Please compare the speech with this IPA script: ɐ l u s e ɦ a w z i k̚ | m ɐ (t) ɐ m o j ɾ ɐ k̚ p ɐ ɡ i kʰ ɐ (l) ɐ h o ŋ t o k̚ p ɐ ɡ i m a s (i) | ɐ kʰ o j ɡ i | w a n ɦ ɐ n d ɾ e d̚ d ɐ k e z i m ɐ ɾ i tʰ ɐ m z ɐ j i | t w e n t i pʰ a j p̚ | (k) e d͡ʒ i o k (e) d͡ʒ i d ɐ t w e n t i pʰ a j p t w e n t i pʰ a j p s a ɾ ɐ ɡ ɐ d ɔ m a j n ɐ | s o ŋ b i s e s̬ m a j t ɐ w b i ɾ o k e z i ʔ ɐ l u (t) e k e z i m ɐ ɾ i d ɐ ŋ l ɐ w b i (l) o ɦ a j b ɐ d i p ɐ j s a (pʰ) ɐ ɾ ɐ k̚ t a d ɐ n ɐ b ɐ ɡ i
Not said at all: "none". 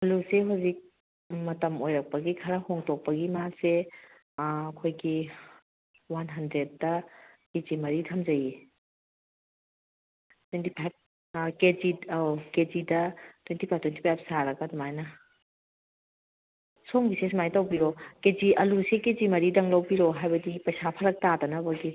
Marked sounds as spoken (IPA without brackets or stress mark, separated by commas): t, ɾ, e, k, e, s, ɾ, pʰ